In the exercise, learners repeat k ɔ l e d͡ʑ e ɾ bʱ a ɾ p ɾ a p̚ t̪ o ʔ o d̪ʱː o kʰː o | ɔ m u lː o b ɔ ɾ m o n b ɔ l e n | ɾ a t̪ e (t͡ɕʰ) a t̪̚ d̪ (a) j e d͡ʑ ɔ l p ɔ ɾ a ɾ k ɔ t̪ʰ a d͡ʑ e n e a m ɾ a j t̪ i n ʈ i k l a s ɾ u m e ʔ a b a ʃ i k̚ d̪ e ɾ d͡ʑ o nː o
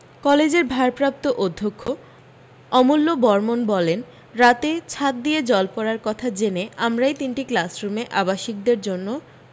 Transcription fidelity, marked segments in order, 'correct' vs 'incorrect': correct, incorrect: i

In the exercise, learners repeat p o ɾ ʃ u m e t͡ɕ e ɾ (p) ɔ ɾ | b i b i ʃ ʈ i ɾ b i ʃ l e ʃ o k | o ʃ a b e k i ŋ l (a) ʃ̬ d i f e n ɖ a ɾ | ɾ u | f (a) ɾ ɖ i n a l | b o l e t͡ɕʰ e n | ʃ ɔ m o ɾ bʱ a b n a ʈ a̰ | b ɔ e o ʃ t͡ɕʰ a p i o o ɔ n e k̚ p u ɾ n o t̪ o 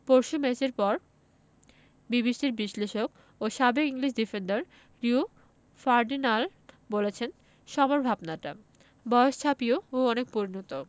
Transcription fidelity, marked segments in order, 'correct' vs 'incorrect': correct, incorrect: i, correct

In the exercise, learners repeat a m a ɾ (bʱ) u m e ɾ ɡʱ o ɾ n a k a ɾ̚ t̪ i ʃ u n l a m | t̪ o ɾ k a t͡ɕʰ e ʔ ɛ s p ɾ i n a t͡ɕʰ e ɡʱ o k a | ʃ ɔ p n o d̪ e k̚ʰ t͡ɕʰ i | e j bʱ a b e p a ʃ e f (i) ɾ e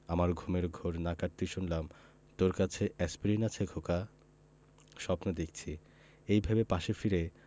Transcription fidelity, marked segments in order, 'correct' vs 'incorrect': incorrect: ɡʱ, correct

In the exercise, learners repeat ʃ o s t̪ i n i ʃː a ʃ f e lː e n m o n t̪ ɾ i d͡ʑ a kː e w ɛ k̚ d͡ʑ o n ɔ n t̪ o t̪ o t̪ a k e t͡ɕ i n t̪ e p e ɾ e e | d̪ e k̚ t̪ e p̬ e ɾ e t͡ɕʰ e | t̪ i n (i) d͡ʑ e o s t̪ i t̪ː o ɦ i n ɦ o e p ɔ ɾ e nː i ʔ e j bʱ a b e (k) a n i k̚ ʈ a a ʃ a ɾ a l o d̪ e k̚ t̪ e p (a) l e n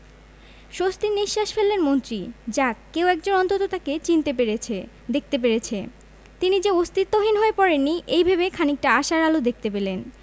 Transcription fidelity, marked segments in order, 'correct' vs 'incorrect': correct, incorrect: kʰ, incorrect: e

